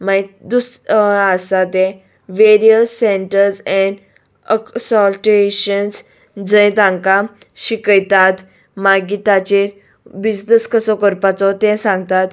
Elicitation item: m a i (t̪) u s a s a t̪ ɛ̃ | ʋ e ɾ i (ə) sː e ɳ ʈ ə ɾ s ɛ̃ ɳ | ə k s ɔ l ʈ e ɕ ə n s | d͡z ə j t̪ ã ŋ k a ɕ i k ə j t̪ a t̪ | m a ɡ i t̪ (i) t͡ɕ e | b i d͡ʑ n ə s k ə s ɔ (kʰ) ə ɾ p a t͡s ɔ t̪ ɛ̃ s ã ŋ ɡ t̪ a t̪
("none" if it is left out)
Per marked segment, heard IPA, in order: d̪, ə, a, k

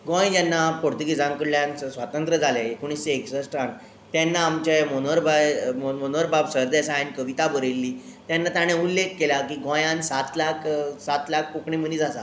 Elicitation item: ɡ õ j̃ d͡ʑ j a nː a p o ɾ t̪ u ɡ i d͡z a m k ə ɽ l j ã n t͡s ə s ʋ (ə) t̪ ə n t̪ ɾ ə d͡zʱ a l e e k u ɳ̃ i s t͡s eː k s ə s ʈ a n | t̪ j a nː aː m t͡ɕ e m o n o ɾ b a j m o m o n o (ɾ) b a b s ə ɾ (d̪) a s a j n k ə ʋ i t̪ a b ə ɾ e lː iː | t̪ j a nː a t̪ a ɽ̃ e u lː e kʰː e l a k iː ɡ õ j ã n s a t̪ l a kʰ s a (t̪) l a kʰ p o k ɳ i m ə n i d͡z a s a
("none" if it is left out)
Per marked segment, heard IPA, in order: a, ɾ, d̪, t̪

